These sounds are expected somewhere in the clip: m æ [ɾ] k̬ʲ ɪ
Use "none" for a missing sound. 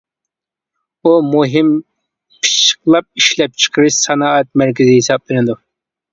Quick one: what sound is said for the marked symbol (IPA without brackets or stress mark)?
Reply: ɾ